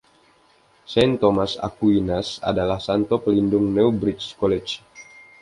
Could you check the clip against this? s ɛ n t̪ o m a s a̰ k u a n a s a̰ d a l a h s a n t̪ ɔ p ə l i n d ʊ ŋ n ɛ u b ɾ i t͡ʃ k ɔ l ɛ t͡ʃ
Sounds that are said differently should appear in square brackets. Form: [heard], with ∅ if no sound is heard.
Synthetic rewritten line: s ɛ n t̪ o m a s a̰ k u [i] n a s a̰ d a l a h s a n t̪ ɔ p ə l i n d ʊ ŋ n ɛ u b ɾ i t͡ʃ k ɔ l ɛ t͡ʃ